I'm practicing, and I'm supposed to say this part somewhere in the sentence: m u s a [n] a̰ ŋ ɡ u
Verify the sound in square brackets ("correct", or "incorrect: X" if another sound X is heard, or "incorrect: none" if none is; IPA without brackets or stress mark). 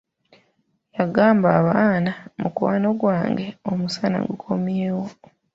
correct